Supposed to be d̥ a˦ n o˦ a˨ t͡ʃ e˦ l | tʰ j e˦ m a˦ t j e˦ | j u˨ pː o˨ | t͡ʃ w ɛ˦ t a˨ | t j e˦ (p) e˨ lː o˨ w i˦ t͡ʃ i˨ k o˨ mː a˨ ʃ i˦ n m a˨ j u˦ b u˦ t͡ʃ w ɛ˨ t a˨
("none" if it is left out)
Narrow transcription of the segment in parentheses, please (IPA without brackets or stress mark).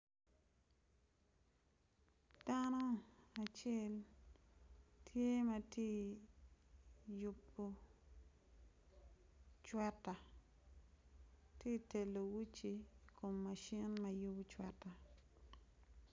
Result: t